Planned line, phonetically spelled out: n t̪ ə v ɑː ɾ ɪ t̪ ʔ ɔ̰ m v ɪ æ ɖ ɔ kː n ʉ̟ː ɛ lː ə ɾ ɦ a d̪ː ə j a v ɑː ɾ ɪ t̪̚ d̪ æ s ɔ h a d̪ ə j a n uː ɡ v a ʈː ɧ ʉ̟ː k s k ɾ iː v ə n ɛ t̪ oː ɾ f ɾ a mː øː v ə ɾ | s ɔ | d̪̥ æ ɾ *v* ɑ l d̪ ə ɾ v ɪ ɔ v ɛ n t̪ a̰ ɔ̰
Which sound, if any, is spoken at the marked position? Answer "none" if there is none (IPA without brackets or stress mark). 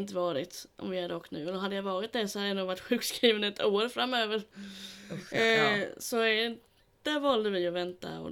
v